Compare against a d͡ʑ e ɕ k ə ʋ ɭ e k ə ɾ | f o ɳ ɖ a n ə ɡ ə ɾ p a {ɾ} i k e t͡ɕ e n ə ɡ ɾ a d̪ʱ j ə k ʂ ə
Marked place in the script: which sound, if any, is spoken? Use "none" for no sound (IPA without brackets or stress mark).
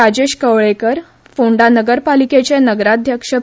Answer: l